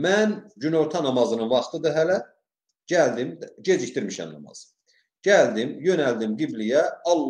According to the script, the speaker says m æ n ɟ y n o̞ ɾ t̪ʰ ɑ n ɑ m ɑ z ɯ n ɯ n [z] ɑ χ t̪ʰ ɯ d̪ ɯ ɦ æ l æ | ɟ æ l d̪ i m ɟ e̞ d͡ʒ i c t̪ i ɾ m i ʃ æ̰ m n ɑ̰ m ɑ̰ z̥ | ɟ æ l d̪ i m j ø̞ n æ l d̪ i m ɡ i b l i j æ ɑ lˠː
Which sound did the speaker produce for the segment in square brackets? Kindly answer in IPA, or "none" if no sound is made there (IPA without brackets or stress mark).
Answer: v